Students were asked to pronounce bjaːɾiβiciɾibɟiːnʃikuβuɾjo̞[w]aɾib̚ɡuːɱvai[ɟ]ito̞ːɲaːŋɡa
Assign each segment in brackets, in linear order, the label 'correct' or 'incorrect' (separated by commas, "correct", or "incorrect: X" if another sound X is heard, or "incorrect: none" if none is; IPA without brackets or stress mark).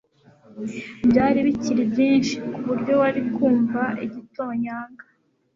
correct, correct